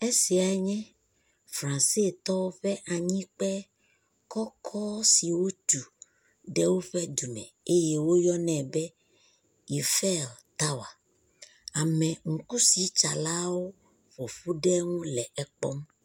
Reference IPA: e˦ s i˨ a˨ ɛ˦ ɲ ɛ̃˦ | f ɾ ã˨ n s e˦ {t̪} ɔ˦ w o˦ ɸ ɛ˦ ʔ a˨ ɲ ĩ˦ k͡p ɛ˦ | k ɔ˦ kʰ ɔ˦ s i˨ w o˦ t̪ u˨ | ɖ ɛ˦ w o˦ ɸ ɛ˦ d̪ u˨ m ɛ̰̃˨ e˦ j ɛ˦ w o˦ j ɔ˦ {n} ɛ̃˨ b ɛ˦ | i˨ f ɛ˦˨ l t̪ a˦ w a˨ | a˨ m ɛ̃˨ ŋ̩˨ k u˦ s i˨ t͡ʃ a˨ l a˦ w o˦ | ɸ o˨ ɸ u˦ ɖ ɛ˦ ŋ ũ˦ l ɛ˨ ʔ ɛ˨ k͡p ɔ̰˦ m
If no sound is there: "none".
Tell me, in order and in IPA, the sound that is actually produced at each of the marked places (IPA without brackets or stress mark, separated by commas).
t̪, n